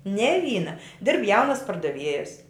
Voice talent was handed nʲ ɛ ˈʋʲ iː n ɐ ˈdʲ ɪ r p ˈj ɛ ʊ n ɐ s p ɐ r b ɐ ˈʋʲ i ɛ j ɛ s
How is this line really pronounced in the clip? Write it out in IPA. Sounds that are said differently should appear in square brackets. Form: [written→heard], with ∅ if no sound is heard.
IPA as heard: nʲ ɛ ˈʋʲ iː n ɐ ˈdʲ ɪ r p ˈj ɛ ʊ n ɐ s p ɐ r [b→d] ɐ ˈʋʲ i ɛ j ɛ s